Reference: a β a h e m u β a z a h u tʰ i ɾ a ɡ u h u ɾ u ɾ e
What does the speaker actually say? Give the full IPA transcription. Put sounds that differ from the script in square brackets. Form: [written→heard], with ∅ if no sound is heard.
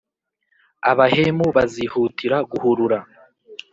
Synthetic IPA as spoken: a β a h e m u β a z [a→i] h u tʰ i ɾ a ɡ u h u ɾ u ɾ [e→a]